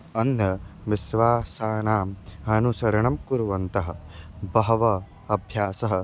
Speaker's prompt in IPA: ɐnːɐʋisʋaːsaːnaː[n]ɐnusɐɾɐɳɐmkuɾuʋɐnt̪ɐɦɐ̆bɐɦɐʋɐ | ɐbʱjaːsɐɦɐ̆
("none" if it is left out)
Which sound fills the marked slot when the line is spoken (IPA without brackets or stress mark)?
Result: m